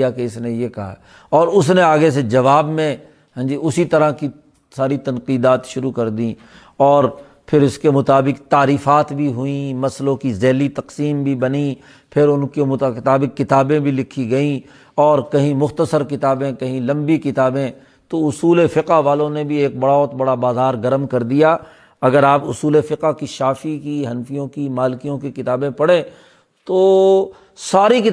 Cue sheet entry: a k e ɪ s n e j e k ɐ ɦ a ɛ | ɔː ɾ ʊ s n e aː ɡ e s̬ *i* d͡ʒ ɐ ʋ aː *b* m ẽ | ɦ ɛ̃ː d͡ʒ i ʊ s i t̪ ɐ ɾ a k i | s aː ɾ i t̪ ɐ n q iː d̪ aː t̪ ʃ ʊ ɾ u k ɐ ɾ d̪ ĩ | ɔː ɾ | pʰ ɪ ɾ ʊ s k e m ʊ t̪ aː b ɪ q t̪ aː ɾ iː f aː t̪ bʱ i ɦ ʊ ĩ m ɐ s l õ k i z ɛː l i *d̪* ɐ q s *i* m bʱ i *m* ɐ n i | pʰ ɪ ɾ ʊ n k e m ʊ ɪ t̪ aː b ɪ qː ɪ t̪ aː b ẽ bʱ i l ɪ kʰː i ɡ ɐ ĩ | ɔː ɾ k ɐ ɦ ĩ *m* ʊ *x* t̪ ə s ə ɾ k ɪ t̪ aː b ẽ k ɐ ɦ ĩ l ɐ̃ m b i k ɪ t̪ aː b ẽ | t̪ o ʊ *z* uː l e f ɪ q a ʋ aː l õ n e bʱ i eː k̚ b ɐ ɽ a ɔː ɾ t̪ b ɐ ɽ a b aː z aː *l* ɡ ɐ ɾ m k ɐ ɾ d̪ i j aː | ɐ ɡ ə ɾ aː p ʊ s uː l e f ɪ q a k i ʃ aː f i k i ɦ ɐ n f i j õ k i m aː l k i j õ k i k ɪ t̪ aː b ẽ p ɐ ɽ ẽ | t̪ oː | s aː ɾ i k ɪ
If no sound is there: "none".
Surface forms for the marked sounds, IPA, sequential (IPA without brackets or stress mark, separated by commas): e, b, t̪, iː, b, m, x, s, ɾ